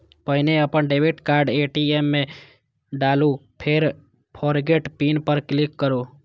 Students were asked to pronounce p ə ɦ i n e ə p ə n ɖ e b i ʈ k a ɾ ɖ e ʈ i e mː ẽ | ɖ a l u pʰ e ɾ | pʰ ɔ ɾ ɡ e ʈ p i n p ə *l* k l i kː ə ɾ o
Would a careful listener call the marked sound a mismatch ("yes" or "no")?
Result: yes